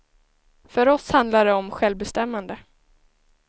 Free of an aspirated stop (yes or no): yes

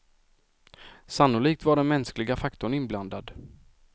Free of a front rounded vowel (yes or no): yes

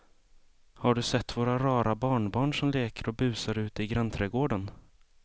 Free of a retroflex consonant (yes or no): no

